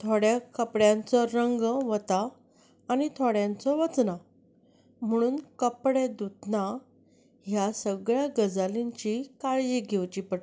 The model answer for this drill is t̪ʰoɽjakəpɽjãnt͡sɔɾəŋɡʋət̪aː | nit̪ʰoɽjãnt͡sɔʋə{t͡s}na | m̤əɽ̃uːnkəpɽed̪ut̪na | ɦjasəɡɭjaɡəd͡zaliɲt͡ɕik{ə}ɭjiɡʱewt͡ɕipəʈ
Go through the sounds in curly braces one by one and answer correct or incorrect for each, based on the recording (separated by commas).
correct, incorrect